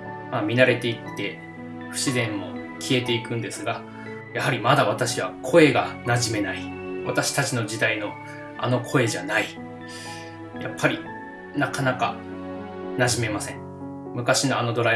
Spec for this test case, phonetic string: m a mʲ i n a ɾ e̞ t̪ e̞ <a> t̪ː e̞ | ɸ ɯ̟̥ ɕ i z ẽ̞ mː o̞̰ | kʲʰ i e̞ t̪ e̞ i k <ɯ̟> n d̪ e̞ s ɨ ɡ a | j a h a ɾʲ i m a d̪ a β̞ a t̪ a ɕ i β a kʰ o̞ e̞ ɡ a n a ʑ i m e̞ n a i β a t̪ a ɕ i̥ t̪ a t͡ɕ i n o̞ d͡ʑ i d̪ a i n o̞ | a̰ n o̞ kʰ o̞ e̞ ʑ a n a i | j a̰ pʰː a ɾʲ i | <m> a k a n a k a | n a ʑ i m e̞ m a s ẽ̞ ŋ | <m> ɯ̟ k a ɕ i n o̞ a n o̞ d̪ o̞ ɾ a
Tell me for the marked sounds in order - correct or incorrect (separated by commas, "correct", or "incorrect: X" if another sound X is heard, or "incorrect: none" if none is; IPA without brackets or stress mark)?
incorrect: i, incorrect: ɯ̟̃, incorrect: n, correct